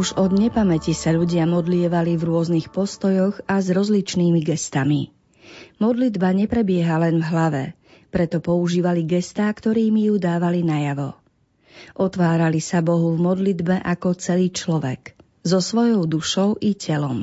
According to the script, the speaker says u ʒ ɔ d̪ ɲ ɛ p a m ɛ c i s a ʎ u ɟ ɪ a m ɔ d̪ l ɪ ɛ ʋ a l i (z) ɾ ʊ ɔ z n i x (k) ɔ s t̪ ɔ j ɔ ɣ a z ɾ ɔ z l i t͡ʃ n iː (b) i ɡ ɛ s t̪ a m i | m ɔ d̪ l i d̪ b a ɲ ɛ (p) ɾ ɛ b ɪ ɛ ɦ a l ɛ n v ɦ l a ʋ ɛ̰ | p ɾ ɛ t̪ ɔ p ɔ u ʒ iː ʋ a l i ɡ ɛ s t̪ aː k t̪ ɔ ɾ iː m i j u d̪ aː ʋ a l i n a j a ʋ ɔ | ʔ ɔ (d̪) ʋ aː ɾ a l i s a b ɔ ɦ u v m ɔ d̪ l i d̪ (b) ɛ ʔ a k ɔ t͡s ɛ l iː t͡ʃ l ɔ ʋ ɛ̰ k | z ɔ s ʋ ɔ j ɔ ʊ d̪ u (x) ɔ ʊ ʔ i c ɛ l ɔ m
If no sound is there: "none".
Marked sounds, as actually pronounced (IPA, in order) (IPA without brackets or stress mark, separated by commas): v, p, m, p, t̪, b, ʃ